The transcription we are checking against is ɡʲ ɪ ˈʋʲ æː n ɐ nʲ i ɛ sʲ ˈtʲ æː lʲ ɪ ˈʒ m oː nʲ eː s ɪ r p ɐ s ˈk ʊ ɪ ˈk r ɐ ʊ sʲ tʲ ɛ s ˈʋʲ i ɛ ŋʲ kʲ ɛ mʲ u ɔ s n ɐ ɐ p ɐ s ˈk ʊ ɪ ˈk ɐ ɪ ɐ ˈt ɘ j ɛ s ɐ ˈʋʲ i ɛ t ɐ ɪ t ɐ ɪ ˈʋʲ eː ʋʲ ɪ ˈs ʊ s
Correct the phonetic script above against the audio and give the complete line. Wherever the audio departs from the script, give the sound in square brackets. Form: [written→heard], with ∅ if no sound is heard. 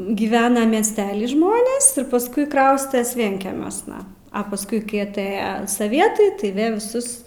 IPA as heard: ɡʲ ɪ ˈʋʲ æː n ɐ [nʲ→mʲ] i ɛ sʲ ˈtʲ æː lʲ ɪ ˈʒ m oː nʲ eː s ɪ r p ɐ s ˈk ʊ ɪ ˈk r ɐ ʊ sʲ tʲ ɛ s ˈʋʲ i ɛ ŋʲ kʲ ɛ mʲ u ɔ s n ɐ ɐ p ɐ s ˈk ʊ ɪ ˈk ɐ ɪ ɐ ˈt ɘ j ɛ s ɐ ˈʋʲ i ɛ t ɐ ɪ t ɐ ɪ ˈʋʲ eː ʋʲ ɪ ˈs ʊ s